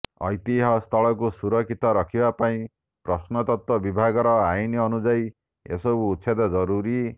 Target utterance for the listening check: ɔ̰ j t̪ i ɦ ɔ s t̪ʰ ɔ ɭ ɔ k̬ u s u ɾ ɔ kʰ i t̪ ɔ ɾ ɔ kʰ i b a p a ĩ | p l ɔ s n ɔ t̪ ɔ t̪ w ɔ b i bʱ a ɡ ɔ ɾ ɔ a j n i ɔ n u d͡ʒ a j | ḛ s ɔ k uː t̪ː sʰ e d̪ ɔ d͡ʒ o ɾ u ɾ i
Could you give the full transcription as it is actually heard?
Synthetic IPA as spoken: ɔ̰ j t̪ i ɦ ɔ s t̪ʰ ɔ ɭ ɔ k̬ u s u ɾ ɔ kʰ i t̪ ɔ ɾ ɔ kʰ i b a p a ĩ | p ɾ ɔ s n ɔ t̪ ɔ t̪ w ɔ b i bʱ a ɡ ɔ ɾ ɔ a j n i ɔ n u d͡ʒ a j | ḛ s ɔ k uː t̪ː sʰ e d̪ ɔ d͡ʒ ɔ ɾ u ɾ i

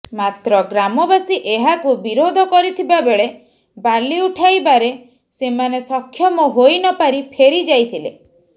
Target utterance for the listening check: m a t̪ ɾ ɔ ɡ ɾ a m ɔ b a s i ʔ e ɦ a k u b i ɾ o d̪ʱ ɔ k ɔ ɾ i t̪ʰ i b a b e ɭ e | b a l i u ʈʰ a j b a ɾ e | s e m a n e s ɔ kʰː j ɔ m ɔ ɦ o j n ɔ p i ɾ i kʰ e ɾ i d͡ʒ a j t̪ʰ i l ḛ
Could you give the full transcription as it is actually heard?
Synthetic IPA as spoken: m a t̪ ɾ ɔ ɡ ɾ a m ɔ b a s i ʔ e ɦ a k u b i ɾ o d̪ʱ ɔ k ɔ ɾ i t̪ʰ i b a b e ɭ e | b a l i u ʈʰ a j b a ɾ e | s e m a n e s ɔ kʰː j ɔ m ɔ ɦ o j n ɔ p a ɾ i pʰ e ɾ i d͡ʒ a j t̪ʰ i l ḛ

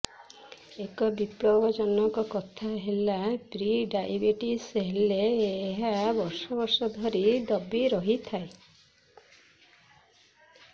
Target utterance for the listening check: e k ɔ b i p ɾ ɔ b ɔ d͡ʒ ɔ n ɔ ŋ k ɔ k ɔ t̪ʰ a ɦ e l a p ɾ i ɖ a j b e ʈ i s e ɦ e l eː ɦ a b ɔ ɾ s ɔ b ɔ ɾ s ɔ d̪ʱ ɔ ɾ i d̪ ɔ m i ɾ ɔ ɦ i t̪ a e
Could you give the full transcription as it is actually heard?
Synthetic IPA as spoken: e k ɔ b i p ɾ ɔ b ɔ d͡ʒ ɔ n ɔ ŋ k ɔ k ɔ t̪ʰ a ɦ e l a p ɾ i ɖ a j b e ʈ i s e ɦ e l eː ɦ a b ɔ ɾ s ɔ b ɔ ɾ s ɔ d̪ʱ ɔ ɾ i d̪ ɔ b i ɾ ɔ ɦ i t̪ʰ a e

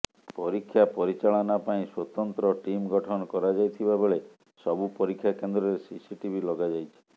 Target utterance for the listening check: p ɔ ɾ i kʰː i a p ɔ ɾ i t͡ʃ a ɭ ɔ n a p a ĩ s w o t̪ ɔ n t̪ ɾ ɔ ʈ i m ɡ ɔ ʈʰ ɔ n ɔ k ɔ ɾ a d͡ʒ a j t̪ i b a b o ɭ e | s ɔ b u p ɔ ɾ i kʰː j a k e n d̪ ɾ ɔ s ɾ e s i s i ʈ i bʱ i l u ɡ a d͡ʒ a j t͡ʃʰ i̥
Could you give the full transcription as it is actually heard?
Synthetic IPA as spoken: p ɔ ɾ i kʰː j a p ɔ ɾ i t͡ʃ a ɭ ɔ n a p a ĩ s w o t̪ ɔ n t̪ ɾ ɔ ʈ i m ɡ ɔ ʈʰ ɔ n ɔ k ɔ ɾ a d͡ʒ a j t̪ʰ i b a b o ɭ e | s ɔ b u p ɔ ɾ i kʰː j a k e n d̪ ɾ ɔ ɾ e s i s i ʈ i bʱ i l ɔ ɡ a d͡ʒ a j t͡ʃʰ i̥

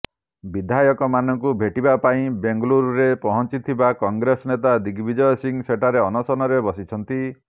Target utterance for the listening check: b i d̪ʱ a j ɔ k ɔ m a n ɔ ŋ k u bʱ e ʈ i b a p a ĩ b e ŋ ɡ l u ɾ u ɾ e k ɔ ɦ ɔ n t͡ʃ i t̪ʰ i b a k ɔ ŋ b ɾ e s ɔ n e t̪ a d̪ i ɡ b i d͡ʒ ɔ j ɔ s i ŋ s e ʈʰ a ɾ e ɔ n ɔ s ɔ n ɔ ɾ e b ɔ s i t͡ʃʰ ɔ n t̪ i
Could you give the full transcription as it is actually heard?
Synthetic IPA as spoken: b i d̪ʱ a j ɔ k ɔ m a n ɔ ŋ k u bʱ e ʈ i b a p a ĩ b e ŋ ɡ l u ɾ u ɾ e p ɔ ɦ ɔ n t͡ʃ i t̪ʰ i b a k ɔ ŋ ɡ ɾ e s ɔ n e t̪ a d̪ i ɡ b i d͡ʒ ɔ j ɔ s i ŋ s e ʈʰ a ɾ e ɔ n ɔ s ɔ n ɔ ɾ e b ɔ s i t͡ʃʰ ɔ n t̪ i

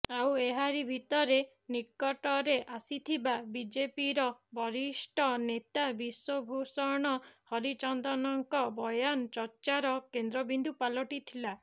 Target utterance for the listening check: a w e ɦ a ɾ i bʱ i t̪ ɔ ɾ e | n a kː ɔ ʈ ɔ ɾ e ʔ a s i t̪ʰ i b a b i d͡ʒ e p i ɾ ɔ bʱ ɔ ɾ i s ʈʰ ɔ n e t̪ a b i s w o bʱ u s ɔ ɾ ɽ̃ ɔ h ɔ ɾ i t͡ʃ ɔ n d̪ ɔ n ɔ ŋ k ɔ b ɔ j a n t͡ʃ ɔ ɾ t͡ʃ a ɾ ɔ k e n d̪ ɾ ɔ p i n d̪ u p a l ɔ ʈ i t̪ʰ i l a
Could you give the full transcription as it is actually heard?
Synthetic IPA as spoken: a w e ɦ a ɾ i bʱ i t̪ ɔ ɾ e | n i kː ɔ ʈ ɔ ɾ e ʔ a s i t̪ʰ i b a b i d͡ʒ e p i ɾ ɔ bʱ ɔ ɾ i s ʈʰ ɔ n e t̪ a b i s w o bʱ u s ɔ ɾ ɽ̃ ɔ h ɔ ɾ i t͡ʃ ɔ n d̪ ɔ n ɔ ŋ k ɔ b ɔ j a n t͡ʃ ɔ ɾ t͡ʃ a ɾ ɔ k e n d̪ ɾ ɔ b i n d̪ u p a l ɔ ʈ i t̪ʰ i l a

